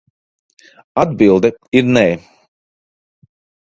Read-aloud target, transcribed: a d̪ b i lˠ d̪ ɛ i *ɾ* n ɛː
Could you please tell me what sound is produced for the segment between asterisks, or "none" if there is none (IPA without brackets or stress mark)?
ɾ